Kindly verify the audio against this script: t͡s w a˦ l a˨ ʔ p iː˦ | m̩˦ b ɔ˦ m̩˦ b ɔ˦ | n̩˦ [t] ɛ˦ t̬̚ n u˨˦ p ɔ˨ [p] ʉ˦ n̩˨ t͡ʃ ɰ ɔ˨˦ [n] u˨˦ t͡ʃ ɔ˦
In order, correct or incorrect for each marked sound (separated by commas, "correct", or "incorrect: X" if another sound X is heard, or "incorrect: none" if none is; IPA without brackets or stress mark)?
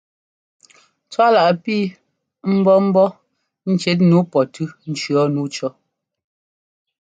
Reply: incorrect: t͡ʃ, incorrect: t, correct